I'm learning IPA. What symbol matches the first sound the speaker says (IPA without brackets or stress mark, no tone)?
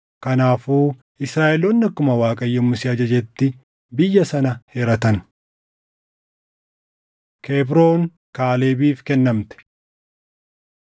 k